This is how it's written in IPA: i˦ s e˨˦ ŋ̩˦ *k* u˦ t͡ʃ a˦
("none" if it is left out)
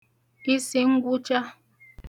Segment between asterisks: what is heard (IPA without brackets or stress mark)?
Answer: ɡ